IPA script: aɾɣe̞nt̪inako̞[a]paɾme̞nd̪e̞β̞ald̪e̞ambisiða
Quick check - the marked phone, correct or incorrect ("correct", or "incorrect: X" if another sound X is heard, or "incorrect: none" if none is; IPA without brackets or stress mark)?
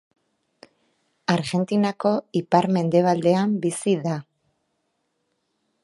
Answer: incorrect: i